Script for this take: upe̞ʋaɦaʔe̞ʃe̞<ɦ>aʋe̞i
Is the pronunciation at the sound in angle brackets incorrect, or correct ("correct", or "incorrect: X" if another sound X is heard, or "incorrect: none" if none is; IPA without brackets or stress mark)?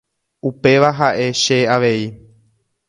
incorrect: none